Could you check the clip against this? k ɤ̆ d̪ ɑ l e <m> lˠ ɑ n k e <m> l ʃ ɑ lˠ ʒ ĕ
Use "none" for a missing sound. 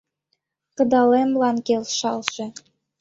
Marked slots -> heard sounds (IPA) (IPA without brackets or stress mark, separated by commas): m, none